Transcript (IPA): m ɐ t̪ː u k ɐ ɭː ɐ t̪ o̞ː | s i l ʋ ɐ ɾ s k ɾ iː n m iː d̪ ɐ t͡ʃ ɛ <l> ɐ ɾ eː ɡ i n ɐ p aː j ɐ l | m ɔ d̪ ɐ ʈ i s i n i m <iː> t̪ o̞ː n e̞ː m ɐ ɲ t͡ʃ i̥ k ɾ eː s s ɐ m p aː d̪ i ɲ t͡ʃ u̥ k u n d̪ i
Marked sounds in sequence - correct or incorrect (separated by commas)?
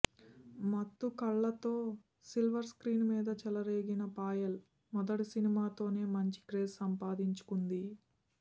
correct, incorrect